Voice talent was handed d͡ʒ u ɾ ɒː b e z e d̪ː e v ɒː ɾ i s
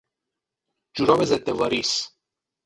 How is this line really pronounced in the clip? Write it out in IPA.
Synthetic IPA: d͡ʒ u ɾ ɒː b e z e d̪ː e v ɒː ɾ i s